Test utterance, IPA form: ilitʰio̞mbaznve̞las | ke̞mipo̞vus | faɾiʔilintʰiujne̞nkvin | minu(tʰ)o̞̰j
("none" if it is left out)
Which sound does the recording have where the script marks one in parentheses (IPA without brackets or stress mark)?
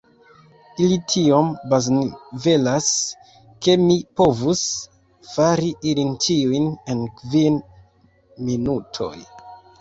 tʰ